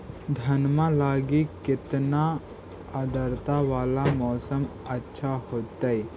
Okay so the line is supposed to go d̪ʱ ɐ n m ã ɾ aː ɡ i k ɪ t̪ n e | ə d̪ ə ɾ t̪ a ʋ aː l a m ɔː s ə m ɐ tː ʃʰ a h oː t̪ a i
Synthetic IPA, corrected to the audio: d̪ʱ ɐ n m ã l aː ɡ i k ɪ t̪ n a | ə d̪ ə ɾ t̪ a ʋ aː l a m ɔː s ə m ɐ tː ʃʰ a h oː t̪ a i

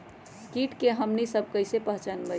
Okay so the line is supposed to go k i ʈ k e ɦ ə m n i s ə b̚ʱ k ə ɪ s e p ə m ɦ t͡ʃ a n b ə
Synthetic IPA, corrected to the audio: k i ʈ k e ɦ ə m n i s ə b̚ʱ k ə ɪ s e p ə ɦ t͡ʃ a n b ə

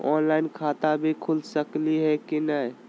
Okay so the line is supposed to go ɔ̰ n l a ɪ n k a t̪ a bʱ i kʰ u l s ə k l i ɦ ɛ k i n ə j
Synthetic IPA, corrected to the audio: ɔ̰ n l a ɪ n kʰ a t̪ a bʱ i kʰ u l s ə k l i ɦ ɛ k i n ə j

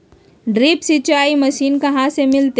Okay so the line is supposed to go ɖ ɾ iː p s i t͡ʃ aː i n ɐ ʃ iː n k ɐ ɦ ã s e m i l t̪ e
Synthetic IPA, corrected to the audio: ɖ ɾ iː p s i t͡ʃ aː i m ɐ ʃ iː n k ɐ ɦ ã s e m ɪ l t̪ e

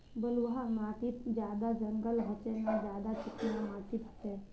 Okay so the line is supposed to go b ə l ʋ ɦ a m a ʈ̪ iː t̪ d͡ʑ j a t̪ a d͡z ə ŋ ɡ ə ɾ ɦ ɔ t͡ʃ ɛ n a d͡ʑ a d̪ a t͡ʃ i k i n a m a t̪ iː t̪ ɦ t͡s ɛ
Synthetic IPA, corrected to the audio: b ə l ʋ ɦ a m a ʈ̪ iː t̪ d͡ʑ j a d̪ a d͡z ə ŋ ɡ ə l ɦ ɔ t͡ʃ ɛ n a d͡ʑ a d̪ a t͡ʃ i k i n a m a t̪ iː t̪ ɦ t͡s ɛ

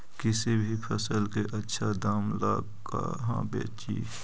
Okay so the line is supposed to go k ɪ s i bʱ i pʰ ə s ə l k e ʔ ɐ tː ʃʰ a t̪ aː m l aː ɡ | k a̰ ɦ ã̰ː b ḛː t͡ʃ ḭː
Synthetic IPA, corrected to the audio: k ɪ s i bʱ i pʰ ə s ə l k e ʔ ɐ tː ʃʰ a d̪ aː m l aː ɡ | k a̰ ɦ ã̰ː b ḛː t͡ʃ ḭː

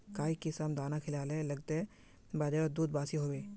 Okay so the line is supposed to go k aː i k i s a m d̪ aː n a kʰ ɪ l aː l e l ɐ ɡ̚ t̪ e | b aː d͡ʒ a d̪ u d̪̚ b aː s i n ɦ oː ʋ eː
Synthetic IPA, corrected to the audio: k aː i k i s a m d̪ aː n a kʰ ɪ l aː l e l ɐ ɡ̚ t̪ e | b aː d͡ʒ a d̪ uː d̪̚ b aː s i ɦ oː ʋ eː

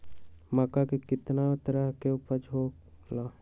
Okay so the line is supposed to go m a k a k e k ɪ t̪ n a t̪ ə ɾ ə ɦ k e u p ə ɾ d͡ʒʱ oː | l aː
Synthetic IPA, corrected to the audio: m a k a k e k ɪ t̪ n a t̪ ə ɾ ə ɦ k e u p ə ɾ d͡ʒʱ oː | l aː

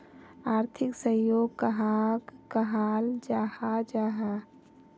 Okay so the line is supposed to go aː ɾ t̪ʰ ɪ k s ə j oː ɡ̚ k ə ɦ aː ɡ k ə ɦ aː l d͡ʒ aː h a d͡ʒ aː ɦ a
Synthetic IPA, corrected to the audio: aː ɾ t̪ʰ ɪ k s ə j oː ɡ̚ k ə ɦ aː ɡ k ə ɦ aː l d͡ʒ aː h a d͡ʒ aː ɦ a

